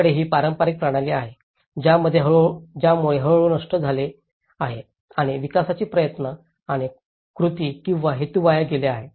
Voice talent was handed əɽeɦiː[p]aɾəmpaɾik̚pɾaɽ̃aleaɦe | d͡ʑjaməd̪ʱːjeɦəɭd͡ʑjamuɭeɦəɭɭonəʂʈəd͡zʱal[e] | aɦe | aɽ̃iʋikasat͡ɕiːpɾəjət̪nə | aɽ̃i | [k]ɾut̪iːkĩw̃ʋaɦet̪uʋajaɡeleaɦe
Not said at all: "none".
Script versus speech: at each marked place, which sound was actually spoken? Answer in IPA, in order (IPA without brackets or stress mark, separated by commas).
p, e, k